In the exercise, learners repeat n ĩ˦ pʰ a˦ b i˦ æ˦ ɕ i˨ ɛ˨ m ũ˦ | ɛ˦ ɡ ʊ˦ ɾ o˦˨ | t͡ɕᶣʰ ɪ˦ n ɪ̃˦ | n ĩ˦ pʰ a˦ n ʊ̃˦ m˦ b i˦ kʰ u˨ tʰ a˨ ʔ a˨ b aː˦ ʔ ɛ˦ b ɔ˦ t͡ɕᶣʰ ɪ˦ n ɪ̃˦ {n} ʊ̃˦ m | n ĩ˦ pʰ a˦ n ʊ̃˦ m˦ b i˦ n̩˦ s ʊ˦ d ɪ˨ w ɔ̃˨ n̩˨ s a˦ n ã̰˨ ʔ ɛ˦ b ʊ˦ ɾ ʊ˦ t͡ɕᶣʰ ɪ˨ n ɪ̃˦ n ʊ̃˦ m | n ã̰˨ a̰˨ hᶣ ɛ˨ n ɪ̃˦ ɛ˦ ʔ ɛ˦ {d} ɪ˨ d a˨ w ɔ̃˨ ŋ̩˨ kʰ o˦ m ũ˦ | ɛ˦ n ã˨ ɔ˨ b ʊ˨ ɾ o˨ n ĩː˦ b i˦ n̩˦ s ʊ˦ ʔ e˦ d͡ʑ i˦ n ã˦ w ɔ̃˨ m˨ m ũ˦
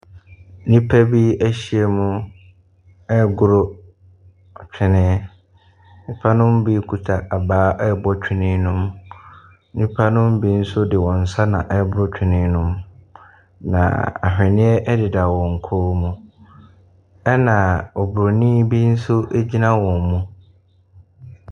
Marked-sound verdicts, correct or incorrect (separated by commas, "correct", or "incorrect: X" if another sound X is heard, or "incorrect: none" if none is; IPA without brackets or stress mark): correct, correct